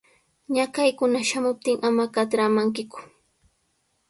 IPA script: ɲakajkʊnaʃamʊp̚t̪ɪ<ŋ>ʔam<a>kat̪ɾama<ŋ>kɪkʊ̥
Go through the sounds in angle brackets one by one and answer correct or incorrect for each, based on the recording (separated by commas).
correct, correct, correct